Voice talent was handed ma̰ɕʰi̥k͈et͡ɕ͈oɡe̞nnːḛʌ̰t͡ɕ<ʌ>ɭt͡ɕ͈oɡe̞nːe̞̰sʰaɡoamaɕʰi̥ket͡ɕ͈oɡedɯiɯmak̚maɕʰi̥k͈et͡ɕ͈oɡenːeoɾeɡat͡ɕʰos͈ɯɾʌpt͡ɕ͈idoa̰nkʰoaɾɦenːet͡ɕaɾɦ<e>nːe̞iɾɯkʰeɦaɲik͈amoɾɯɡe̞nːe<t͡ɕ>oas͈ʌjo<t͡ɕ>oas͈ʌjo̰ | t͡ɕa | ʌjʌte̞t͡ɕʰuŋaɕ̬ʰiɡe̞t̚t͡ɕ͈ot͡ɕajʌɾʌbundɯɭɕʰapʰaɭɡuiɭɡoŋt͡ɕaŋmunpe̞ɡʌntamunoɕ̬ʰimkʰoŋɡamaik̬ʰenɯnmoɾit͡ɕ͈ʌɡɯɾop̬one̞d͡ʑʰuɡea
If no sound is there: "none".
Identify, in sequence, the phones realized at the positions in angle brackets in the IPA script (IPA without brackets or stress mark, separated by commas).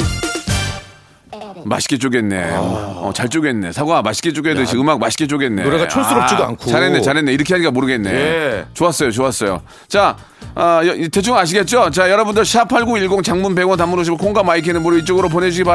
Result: a, e, t͡ɕ, t͡ɕ